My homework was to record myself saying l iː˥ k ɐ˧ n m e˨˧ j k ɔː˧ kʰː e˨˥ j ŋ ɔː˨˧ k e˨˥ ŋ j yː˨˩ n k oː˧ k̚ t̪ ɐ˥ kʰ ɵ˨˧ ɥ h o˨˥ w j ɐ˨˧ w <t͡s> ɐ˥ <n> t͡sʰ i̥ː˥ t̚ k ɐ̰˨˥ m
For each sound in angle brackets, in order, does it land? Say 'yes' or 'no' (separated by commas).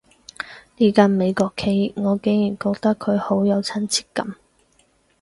no, yes